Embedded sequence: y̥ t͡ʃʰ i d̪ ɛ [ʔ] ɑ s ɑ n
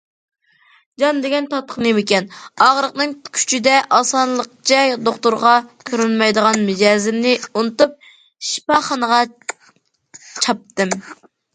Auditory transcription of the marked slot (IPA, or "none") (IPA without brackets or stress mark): ʔ